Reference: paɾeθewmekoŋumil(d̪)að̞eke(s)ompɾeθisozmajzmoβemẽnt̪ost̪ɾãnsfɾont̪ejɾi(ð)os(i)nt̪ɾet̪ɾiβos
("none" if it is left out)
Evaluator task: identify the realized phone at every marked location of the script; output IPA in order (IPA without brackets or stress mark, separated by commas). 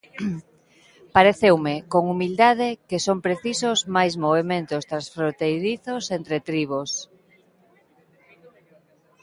d̪, s, θ, e